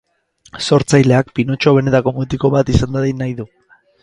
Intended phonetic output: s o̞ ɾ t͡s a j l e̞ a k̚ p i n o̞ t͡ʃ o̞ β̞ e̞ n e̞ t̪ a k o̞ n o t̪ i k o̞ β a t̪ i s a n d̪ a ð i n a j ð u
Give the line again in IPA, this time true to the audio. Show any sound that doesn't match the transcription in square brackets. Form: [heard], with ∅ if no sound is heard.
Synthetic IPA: s o̞ ɾ t͡s a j l e̞ a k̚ p i n o̞ t͡ʃ o̞ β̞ e̞ n e̞ t̪ a k o̞ [m] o t̪ i k o̞ β a t̪ i s a n d̪ a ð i n a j ð u